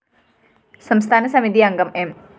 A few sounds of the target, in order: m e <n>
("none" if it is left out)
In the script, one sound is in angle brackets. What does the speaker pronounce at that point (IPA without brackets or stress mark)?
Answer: m